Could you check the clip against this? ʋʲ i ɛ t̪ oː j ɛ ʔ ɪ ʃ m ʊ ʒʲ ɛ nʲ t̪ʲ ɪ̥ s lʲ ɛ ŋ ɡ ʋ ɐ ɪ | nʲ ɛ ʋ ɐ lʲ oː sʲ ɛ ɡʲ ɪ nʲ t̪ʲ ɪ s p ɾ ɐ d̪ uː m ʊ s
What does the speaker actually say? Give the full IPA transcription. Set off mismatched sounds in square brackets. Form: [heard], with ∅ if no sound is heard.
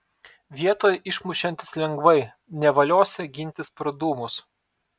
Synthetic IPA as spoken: ʋʲ i ɛ t̪ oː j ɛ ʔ ɪ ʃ m ʊ [ʃʲ] ɛ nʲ t̪ʲ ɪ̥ s lʲ ɛ ŋ ɡ ʋ ɐ ɪ | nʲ ɛ ʋ ɐ lʲ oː sʲ ɛ ɡʲ ɪ nʲ t̪ʲ ɪ s p ɾ ɐ d̪ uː m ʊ s

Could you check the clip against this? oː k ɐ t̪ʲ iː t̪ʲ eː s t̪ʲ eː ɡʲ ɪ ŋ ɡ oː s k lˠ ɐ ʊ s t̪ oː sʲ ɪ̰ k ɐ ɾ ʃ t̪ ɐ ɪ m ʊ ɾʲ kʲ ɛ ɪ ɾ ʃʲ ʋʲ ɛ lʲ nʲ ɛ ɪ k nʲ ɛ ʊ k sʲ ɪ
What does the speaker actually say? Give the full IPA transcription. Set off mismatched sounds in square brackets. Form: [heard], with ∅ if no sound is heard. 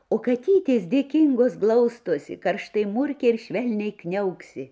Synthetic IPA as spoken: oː k ɐ t̪ʲ iː t̪ʲ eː s [d̪ʲ] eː [kʲ] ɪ ŋ ɡ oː s [ɡ] lˠ ɐ ʊ s t̪ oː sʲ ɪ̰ k ɐ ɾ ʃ t̪ ɐ ɪ m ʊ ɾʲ kʲ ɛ ɪ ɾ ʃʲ ʋʲ ɛ lʲ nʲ ɛ ɪ k nʲ ɛ ʊ k sʲ ɪ

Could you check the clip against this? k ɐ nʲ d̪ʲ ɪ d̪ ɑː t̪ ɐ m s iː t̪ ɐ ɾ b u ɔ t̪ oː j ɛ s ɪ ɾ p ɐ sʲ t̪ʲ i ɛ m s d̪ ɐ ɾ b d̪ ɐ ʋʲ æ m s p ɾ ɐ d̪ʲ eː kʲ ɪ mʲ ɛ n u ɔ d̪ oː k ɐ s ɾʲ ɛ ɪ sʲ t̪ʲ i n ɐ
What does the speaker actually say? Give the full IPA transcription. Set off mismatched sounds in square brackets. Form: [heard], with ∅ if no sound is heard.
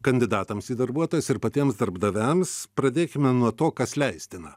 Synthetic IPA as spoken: k ɐ nʲ d̪ʲ ɪ d̪ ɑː t̪ ɐ m s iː [d̪] ɐ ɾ b u ɔ t̪ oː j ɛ s ɪ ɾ p ɐ [∅] t̪ʲ i ɛ m s d̪ ɐ ɾ b d̪ ɐ ʋʲ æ m s p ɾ ɐ d̪ʲ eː kʲ ɪ mʲ ɛ n u ɔ [t̪] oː k ɐ s [lʲ] ɛ ɪ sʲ t̪ʲ [ɪ] n ɐ

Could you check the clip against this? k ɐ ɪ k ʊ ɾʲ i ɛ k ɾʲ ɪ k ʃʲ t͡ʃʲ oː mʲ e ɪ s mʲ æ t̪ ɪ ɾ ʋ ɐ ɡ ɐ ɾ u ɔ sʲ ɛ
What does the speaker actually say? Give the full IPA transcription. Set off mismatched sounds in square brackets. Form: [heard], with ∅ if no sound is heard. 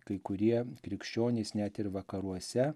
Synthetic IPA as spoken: k ɐ ɪ k ʊ ɾʲ i ɛ k ɾʲ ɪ k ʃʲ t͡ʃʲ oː [nʲ] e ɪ s [nʲ] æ t̪ ɪ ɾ ʋ ɐ [k] ɐ ɾ u ɔ sʲ ɛ

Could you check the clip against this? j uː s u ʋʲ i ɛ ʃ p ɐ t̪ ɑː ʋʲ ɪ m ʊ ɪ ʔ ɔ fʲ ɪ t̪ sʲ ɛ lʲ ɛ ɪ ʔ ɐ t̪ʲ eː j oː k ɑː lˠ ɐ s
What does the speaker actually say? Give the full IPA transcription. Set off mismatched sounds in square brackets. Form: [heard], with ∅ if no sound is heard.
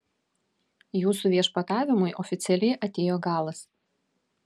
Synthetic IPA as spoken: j uː s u ʋʲ i ɛ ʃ p ɐ t̪ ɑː ʋʲ ɪ m ʊ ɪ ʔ ɔ fʲ ɪ t̪ sʲ ɛ lʲ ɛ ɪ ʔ ɐ t̪ʲ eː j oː [ɡ] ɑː lˠ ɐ s

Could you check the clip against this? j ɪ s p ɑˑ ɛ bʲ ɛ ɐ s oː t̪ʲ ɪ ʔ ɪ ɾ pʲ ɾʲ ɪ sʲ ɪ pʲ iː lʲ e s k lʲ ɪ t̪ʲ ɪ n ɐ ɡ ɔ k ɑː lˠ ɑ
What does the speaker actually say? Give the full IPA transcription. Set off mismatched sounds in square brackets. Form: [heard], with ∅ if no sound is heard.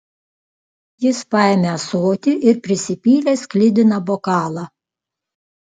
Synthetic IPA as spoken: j ɪ s p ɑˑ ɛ [mʲ] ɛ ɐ s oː t̪ʲ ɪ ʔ ɪ ɾ pʲ ɾʲ ɪ sʲ ɪ pʲ iː lʲ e s k lʲ ɪ [d̪ʲ] ɪ n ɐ [b] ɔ k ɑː lˠ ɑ

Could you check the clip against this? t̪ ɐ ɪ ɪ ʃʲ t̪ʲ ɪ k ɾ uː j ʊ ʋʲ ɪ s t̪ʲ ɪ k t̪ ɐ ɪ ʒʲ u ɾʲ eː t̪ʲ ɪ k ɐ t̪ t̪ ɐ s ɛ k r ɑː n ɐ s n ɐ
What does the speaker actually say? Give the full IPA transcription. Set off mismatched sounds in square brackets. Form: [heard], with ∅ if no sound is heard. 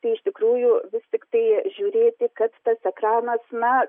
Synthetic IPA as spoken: t̪ ɐ ɪ ɪ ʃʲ t̪ʲ ɪ k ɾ uː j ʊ ʋʲ ɪ s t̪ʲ ɪ k t̪ ɐ ɪ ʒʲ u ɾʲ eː t̪ʲ ɪ k ɐ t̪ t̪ ɐ s ɛ k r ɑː n ɐ s n ɐ

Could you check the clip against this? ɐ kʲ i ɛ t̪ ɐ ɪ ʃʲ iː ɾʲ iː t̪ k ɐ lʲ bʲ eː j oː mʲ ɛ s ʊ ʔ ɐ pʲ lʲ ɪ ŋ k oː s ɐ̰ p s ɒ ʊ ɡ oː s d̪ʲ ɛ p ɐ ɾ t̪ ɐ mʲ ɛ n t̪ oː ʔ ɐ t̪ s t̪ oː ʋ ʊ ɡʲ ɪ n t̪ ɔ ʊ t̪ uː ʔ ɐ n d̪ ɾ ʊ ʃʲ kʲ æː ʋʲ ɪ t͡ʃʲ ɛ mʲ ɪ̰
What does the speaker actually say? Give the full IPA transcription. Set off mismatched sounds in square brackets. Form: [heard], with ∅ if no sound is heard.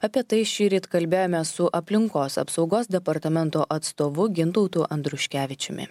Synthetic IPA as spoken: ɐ [pʲ] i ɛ t̪ ɐ ɪ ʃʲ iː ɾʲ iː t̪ k ɐ lʲ bʲ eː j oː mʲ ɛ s ʊ ʔ ɐ pʲ lʲ ɪ ŋ k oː s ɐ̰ p s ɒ ʊ ɡ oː s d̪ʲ ɛ p ɐ ɾ t̪ ɐ mʲ ɛ n t̪ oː ʔ ɐ t̪ s t̪ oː ʋ ʊ ɡʲ ɪ n t̪ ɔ ʊ t̪ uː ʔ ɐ n d̪ ɾ ʊ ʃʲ kʲ æː ʋʲ ɪ t͡ʃʲ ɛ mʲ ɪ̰

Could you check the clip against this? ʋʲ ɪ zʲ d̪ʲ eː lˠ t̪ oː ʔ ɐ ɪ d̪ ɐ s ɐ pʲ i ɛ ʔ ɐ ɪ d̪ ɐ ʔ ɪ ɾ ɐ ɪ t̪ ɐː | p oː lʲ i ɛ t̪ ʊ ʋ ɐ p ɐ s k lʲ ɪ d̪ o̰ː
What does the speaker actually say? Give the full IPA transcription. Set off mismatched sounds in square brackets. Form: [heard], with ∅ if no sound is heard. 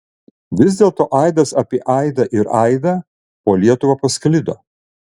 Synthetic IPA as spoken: ʋʲ ɪ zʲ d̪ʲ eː lˠ t̪ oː ʔ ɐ ɪ d̪ ɐ s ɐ pʲ i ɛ ʔ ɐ ɪ d̪ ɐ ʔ ɪ ɾ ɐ ɪ [d̪] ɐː | p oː lʲ i ɛ t̪ ʊ ʋ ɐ p ɐ s k lʲ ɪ d̪ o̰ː

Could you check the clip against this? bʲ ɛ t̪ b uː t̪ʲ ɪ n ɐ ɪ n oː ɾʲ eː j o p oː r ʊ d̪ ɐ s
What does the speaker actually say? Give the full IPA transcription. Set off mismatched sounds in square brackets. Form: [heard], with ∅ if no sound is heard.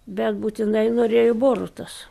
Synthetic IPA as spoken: bʲ ɛ t̪ b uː t̪ʲ ɪ n ɐ ɪ n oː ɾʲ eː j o [b] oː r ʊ [t̪] ɐ s

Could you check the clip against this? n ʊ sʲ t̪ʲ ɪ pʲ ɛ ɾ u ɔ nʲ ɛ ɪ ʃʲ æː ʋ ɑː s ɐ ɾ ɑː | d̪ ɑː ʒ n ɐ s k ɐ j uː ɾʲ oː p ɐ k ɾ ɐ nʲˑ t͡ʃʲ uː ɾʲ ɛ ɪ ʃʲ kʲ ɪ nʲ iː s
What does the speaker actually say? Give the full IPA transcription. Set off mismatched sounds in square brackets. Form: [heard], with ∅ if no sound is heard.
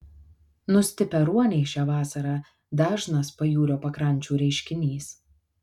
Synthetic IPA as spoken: n ʊ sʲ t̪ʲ ɪ pʲ ɛ ɾ u ɔ nʲ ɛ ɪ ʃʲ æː ʋ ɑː s ɐ ɾ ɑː | d̪ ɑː ʒ n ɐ s [p] ɐ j uː ɾʲ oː p ɐ k ɾ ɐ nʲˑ t͡ʃʲ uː ɾʲ ɛ ɪ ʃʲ kʲ ɪ nʲ iː s

